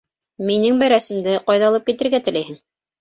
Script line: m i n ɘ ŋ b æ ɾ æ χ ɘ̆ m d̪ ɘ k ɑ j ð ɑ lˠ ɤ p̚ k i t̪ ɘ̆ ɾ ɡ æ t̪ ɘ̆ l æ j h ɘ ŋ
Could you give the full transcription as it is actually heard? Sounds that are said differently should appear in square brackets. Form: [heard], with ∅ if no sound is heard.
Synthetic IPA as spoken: m i n ɘ ŋ b æ ɾ æ [s] ɘ̆ m d̪ ɘ [q] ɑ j ð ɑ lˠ ɤ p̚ k i t̪ ɘ̆ ɾ ɡ æ t̪ ɘ̆ l æ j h ɘ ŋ